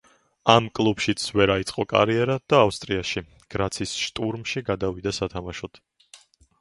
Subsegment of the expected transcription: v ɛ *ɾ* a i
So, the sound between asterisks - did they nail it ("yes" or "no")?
yes